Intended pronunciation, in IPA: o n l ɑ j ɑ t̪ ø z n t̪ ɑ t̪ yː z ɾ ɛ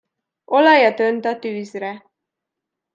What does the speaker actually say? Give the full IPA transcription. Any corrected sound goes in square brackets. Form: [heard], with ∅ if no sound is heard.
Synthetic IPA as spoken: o [∅] l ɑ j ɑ t̪ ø [∅] n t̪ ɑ t̪ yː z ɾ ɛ